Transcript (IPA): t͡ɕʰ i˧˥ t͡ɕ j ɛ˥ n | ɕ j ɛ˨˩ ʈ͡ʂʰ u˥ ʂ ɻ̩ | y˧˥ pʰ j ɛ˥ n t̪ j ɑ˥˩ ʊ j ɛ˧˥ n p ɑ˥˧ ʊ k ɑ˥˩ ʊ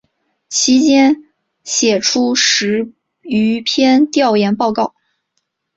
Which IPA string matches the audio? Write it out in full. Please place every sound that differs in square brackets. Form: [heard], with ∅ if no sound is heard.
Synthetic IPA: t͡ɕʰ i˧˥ t͡ɕ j ɛ˥ n | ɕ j ɛ˨˩ ʈ͡ʂʰ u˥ ʂ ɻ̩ | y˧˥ pʰ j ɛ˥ n t̪ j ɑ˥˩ ʊ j ɛ˧˥ n p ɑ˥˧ ʊ k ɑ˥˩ ʊ